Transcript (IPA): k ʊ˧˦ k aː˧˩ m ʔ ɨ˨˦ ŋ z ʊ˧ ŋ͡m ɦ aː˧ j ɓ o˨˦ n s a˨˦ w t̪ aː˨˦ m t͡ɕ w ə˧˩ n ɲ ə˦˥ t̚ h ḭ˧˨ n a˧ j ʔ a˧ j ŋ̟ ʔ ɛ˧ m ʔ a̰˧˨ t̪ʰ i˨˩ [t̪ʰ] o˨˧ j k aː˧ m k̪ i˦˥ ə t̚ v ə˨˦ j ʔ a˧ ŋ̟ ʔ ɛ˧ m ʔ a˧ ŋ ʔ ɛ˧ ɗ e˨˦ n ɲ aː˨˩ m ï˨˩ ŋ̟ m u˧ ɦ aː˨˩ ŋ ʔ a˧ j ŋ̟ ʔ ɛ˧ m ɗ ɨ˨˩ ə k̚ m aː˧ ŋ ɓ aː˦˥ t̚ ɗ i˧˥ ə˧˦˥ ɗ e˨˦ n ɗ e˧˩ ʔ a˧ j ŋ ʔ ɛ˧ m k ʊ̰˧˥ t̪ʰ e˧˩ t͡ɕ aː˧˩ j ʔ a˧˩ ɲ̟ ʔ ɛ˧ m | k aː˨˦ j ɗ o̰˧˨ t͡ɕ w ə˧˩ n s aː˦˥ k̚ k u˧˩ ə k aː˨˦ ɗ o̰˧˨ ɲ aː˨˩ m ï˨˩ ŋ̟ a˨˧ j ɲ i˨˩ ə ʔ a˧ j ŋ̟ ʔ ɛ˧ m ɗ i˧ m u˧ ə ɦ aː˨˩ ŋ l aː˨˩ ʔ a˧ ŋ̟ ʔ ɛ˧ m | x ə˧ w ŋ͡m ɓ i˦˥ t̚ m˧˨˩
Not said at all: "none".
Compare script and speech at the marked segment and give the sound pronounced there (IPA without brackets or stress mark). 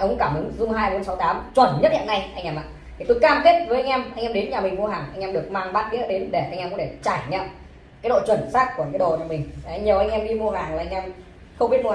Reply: t̪